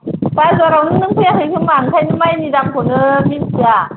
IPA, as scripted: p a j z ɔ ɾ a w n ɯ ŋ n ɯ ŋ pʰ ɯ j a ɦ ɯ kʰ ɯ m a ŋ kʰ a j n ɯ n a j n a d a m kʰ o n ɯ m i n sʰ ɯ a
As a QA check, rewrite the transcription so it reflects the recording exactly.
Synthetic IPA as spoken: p a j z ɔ ɾ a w n ɯ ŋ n ɯ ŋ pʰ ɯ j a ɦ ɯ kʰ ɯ m a ŋ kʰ a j n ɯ m a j n i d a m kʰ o n ɯ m i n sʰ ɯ a